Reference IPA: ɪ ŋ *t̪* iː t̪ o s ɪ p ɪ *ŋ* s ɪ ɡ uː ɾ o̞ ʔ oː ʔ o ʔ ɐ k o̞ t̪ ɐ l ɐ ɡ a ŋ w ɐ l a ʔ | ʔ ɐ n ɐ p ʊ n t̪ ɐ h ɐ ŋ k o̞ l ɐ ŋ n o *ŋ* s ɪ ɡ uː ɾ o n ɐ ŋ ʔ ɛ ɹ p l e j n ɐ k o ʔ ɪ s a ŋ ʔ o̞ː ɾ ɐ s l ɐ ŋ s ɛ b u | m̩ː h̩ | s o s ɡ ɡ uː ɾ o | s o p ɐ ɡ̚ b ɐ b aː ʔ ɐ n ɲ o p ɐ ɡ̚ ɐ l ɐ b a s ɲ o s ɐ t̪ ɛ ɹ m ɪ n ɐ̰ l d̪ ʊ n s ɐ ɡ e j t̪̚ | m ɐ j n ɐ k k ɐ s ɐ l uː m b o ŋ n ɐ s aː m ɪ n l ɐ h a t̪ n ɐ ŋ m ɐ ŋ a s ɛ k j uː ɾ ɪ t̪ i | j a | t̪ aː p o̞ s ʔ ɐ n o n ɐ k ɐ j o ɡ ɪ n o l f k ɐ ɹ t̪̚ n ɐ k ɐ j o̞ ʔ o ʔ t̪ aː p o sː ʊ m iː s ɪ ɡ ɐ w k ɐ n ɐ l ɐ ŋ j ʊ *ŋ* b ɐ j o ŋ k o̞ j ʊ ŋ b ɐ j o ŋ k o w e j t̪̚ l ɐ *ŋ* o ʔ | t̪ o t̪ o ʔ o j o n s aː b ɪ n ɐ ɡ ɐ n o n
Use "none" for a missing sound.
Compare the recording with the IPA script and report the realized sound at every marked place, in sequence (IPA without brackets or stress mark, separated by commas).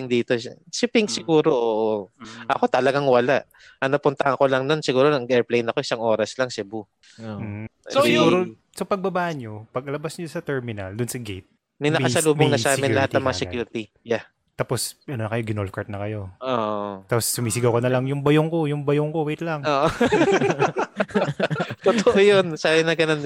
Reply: d̪, ŋ, n, ŋ, ŋ